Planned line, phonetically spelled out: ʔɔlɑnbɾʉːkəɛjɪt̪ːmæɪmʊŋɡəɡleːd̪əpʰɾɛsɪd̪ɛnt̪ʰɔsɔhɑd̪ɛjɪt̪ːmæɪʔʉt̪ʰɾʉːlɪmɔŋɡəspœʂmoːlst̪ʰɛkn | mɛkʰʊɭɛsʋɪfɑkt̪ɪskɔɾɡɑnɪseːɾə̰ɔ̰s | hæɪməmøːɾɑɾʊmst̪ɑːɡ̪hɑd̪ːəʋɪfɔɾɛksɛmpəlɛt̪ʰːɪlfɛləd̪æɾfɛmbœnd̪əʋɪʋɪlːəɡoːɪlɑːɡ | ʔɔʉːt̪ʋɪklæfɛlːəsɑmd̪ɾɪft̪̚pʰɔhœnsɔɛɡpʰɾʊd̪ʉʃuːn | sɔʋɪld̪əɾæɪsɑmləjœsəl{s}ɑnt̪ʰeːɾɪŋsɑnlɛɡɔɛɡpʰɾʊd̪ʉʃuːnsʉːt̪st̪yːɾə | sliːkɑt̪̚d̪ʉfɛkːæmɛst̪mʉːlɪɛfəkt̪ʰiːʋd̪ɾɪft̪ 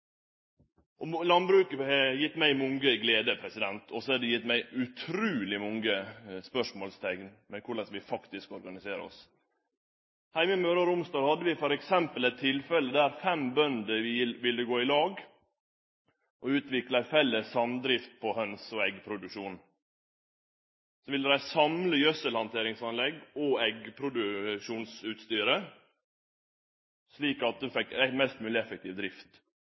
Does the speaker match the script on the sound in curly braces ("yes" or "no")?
no